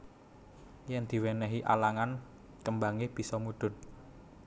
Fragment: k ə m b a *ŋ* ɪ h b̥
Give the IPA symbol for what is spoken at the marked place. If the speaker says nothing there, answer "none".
ŋ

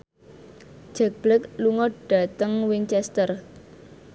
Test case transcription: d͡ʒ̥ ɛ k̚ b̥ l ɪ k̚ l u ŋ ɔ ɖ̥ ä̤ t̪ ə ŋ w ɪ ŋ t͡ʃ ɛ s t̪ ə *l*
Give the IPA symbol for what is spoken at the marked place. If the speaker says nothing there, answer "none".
r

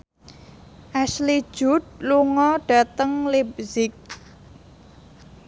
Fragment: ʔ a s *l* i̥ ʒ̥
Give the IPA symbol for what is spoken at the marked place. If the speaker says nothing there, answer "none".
l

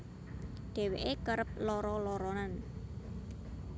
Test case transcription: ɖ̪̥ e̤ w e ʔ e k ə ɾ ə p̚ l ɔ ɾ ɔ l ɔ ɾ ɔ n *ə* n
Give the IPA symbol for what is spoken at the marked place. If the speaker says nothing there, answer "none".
a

